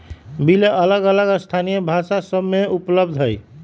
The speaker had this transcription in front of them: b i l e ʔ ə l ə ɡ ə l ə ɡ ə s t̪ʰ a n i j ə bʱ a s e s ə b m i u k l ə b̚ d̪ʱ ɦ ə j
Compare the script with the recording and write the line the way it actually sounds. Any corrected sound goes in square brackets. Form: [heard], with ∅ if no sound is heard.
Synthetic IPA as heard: b i l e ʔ ə l ə ɡ ə l ə ɡ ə s t̪ʰ a n i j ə bʱ a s [a] s ə b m [e] u [p] l ə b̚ d̪ʱ ɦ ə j